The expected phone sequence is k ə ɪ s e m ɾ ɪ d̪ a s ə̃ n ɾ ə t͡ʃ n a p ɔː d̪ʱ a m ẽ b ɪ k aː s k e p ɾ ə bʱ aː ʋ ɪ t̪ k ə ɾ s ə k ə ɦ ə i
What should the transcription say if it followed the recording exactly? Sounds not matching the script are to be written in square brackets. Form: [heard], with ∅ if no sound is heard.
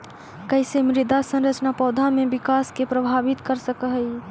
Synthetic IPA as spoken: k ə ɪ s e m ɾ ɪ d̪ a s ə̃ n ɾ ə t͡ʃ n a p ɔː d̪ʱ a m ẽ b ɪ k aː s k e p ɾ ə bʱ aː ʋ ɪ t̪ k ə ɾ s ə k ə ɦ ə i